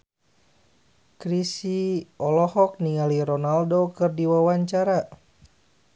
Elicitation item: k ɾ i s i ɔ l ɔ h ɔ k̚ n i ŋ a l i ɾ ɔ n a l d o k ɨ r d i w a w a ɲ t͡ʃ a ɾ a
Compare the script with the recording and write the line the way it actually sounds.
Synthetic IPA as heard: k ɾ i s i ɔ l ɔ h ɔ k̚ n i ŋ a l i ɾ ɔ n a l d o k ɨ r d i w a w a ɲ t͡ʃ a ɾ a